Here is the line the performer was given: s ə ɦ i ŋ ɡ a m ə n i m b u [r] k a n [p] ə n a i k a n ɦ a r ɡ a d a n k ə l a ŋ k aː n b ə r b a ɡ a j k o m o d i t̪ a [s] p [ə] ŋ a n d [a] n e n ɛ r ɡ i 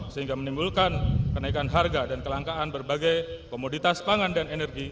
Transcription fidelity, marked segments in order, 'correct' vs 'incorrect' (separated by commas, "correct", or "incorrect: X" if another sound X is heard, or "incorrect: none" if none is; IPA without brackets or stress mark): incorrect: l, incorrect: k, correct, incorrect: a, correct